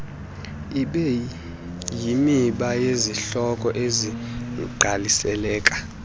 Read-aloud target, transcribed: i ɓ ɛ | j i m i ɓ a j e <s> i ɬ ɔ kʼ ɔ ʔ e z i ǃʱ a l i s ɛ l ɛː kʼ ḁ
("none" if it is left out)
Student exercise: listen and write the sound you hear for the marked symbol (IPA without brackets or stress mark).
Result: z